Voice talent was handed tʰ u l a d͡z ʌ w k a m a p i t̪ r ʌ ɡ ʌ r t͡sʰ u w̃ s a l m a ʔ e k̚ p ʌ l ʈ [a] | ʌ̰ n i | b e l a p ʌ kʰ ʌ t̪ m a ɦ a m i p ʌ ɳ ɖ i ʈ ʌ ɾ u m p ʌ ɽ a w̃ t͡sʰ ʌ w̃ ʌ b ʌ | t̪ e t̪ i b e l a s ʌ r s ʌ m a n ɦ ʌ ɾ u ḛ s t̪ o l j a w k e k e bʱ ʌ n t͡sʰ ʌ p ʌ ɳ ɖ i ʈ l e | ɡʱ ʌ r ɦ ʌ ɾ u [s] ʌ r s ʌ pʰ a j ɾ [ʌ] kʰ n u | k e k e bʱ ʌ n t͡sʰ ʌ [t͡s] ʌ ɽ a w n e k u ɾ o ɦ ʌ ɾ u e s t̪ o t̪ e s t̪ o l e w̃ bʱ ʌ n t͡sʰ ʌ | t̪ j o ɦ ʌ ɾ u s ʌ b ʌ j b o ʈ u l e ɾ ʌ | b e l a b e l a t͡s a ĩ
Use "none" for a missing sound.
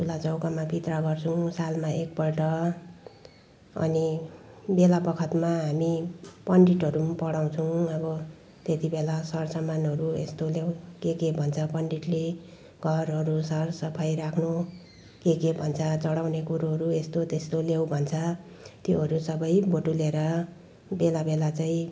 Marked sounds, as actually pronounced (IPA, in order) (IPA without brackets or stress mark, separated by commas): ʌ, s, a, t͡s